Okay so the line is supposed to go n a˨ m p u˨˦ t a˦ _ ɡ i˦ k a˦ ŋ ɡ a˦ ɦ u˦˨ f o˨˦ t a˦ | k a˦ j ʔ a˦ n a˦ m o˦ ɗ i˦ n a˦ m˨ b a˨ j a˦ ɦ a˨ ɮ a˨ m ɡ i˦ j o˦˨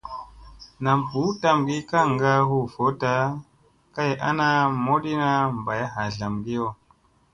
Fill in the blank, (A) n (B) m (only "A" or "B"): B